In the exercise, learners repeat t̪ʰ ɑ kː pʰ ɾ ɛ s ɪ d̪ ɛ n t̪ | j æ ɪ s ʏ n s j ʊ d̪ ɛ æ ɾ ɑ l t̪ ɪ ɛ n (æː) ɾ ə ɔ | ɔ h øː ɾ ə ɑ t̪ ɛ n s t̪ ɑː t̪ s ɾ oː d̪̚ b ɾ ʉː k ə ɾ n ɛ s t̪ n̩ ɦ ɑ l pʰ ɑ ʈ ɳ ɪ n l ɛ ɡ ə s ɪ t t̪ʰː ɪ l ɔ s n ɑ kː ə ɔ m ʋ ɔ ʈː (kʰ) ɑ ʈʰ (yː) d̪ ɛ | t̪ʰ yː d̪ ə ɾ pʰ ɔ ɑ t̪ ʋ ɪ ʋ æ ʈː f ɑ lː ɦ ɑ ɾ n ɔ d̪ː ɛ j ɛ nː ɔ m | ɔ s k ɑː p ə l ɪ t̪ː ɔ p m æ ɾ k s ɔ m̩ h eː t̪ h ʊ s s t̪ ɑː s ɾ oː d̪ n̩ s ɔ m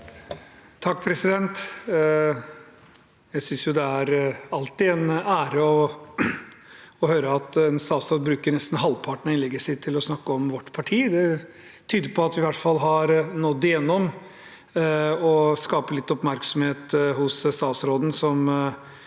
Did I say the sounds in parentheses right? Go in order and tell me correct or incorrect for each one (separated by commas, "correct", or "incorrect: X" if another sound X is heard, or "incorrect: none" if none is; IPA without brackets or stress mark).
correct, incorrect: pʰ, incorrect: iː